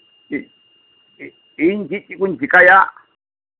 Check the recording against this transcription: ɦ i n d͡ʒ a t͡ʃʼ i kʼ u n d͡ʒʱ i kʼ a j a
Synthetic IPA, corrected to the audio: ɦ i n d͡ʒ i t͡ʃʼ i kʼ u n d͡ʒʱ i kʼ a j a